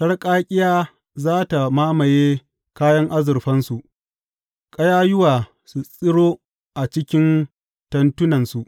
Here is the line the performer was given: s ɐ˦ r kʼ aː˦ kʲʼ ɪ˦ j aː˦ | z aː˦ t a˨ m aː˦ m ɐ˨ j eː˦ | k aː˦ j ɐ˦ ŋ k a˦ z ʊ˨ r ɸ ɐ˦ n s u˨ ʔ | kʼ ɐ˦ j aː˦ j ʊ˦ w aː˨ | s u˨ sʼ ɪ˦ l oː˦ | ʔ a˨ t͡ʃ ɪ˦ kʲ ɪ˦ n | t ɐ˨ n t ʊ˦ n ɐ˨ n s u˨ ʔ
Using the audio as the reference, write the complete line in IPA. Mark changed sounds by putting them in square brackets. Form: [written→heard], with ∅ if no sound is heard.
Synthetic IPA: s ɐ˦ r kʼ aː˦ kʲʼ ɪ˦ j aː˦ | z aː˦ t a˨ m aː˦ m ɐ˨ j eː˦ | k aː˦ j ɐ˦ ŋ [k→ʔ] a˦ z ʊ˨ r ɸ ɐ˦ n s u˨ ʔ | kʼ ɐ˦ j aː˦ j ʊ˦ w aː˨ | s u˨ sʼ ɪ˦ [l→ɽ] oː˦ | ʔ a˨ t͡ʃ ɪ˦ kʲ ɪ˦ n | t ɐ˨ n t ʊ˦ n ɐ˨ n s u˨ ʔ